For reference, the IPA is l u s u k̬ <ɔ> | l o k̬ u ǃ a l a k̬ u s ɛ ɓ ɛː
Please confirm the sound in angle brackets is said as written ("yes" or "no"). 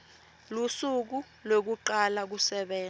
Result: no